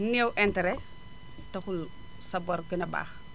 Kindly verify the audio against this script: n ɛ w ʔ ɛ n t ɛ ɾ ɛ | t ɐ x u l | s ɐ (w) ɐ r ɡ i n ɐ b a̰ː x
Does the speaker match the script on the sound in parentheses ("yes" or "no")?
no